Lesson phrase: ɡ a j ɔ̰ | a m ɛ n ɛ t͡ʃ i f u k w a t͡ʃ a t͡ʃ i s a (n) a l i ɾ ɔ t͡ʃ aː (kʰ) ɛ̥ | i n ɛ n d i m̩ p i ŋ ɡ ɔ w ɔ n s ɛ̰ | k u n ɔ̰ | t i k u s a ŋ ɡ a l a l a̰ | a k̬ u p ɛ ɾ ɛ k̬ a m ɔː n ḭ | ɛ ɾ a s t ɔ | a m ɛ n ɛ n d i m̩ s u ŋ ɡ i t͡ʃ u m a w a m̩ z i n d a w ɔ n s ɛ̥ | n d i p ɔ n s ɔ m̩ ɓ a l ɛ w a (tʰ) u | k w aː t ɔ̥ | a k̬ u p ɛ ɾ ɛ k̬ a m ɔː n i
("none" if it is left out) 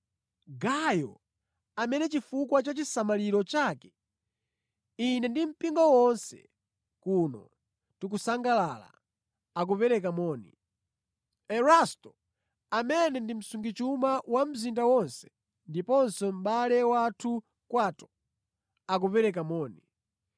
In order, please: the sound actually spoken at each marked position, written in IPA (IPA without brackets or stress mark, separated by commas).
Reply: m, k, tʰ